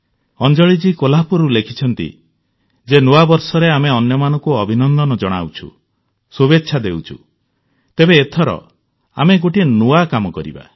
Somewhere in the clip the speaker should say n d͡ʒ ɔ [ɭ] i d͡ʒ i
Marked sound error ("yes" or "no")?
no